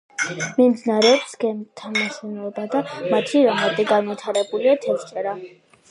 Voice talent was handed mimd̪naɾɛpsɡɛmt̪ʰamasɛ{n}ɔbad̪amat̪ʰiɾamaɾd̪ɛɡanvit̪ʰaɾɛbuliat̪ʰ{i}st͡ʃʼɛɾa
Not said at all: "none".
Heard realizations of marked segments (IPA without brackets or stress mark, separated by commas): n, ɛ